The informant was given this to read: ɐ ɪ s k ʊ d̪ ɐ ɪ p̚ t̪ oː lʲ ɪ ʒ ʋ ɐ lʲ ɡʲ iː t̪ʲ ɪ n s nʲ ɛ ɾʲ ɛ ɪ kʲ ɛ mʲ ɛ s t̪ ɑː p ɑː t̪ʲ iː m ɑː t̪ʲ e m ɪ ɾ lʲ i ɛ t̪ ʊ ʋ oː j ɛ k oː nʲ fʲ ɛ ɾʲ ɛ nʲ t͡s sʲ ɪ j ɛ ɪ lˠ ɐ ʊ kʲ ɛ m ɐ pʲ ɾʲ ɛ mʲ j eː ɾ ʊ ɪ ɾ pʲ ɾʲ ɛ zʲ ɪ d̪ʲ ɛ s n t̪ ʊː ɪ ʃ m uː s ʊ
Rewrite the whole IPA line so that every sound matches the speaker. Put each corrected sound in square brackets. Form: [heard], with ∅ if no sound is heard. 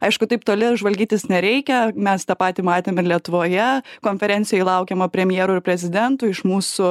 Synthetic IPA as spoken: ɐ ɪ [ʃ] k ʊ [t̪] ɐ ɪ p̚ t̪ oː lʲ ɪ ʒ ʋ ɐ lʲ ɡʲ iː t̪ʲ ɪ [∅] s nʲ ɛ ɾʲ ɛ ɪ kʲ ɛ mʲ ɛ s t̪ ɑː p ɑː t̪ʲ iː m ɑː t̪ʲ e m ɪ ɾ lʲ i ɛ t̪ ʊ ʋ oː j ɛ k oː nʲ fʲ ɛ ɾʲ ɛ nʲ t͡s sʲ ɪ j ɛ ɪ lˠ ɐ ʊ kʲ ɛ m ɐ pʲ ɾʲ ɛ mʲ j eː ɾ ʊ ɪ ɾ pʲ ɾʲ ɛ zʲ ɪ d̪ʲ ɛ [∅] n t̪ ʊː ɪ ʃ m uː s ʊ